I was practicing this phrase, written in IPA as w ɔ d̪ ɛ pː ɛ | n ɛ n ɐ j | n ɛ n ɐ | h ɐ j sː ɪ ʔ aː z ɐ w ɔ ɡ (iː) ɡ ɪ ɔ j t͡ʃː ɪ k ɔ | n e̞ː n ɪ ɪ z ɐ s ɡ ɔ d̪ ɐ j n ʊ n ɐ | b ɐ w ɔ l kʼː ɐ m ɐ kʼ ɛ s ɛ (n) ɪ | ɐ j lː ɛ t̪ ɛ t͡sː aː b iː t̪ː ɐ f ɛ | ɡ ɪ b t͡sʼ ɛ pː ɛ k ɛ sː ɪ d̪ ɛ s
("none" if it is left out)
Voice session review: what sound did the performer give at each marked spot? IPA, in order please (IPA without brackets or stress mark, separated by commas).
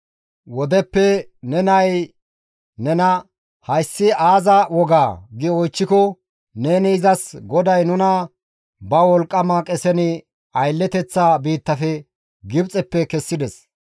aː, n